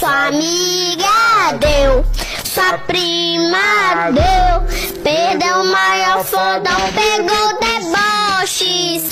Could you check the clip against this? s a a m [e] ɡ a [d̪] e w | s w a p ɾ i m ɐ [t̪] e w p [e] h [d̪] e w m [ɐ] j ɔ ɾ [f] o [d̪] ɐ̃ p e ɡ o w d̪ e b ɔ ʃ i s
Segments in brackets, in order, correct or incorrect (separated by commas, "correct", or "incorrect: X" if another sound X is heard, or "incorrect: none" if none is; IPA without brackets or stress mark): incorrect: i, correct, incorrect: d̪, correct, correct, incorrect: a, correct, correct